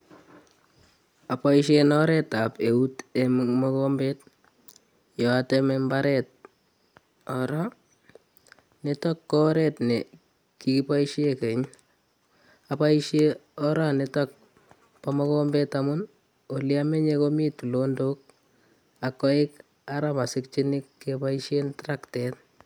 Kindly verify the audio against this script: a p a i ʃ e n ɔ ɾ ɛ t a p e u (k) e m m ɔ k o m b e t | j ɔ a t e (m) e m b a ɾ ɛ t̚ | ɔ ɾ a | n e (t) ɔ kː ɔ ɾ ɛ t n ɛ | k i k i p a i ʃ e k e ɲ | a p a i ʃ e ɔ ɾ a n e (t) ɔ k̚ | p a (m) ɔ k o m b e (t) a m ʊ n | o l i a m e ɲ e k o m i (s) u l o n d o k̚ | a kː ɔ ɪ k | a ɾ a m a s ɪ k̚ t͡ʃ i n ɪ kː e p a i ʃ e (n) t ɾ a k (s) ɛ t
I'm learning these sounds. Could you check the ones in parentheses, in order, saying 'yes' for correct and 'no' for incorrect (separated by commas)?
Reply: no, yes, yes, yes, yes, yes, no, yes, no